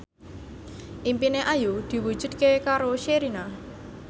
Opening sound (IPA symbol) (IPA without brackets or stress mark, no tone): ʔ